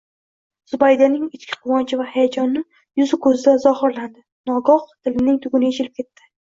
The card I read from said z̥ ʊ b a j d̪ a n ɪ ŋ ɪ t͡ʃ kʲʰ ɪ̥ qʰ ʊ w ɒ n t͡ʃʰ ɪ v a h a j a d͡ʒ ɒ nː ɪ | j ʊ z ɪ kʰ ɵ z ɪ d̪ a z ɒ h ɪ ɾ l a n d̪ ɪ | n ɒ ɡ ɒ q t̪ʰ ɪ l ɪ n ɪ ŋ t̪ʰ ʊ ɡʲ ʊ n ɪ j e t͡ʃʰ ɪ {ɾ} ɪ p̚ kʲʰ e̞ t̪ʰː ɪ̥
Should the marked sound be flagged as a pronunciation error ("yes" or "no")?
yes